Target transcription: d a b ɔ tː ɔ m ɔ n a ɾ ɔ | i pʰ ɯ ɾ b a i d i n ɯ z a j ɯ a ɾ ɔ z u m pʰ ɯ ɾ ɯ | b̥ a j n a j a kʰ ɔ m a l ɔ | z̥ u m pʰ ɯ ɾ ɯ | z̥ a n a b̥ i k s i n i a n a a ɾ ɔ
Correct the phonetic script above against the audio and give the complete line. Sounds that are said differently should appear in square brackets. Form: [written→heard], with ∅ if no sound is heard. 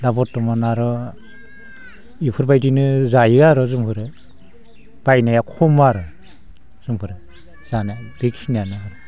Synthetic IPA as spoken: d a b ɔ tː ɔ m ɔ n a ɾ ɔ | i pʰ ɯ ɾ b a [i→j] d i n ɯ z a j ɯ a ɾ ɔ z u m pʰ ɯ ɾ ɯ | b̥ a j n a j a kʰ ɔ m a [l→ɾ] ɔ | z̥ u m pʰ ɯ ɾ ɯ | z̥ a n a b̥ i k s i n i a n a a ɾ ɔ